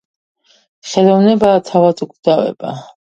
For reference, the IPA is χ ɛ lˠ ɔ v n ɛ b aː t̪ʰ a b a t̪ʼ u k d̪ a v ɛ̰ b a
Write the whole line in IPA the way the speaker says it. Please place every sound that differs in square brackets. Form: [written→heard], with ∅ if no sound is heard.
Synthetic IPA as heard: χ ɛ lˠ ɔ v n ɛ b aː t̪ʰ a [b→v] a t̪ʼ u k d̪ a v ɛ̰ b a